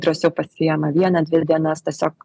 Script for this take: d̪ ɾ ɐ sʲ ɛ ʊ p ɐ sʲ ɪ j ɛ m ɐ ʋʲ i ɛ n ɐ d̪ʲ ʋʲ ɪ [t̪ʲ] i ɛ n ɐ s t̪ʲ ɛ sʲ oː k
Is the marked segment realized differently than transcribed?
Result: yes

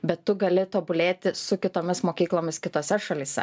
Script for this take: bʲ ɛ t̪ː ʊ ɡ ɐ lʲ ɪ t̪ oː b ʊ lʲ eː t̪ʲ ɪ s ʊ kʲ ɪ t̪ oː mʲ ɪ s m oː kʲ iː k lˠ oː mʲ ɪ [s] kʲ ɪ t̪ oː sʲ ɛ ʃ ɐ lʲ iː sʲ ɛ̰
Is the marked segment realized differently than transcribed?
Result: no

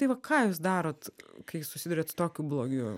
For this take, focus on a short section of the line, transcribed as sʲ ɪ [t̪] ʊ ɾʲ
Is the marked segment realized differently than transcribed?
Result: yes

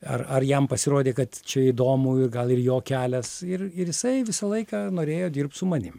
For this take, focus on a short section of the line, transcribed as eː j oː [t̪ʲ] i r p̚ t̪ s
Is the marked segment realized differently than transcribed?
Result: yes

